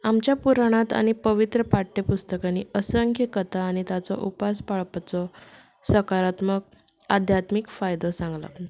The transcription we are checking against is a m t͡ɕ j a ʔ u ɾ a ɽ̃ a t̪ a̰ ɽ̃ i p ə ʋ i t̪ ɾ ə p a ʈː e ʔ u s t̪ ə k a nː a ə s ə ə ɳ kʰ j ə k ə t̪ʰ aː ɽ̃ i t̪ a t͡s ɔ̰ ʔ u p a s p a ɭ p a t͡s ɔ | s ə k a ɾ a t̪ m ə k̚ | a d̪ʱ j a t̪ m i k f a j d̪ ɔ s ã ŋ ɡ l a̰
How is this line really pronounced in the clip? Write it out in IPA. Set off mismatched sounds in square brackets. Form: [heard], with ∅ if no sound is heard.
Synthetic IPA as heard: a m t͡ɕ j a [p] u ɾ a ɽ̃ a t̪ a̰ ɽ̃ i p ə ʋ i t̪ ɾ ə p a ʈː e [p] u s t̪ ə k a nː [i] ə s ə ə [ŋ] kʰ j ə k ə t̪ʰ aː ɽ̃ i t̪ a t͡s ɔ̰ ʔ u p a s p a ɭ p a t͡s ɔ | s ə k a ɾ a t̪ m ə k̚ | a d̪ʱ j a t̪ m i k f a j d̪ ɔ s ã ŋ ɡ l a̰